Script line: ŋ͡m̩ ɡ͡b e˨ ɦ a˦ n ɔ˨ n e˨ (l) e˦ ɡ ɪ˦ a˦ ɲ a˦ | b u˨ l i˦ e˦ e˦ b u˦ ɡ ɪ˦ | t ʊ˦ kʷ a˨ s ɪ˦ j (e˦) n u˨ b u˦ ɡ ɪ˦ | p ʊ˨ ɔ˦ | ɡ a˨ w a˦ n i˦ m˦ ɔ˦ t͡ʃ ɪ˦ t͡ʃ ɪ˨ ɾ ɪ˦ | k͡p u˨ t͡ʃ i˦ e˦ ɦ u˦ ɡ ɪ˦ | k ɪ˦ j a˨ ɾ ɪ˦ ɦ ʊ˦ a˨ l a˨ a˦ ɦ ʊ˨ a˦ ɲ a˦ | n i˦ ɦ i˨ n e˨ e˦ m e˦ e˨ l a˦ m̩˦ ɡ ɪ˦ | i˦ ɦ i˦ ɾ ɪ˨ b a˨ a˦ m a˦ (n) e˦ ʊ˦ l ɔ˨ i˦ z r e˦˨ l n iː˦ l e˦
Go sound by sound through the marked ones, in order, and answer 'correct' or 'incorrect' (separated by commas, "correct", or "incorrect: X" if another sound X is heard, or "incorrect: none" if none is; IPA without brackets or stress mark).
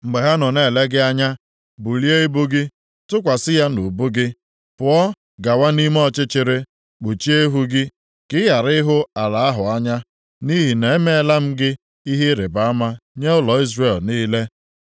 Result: correct, incorrect: a˦, incorrect: ɲ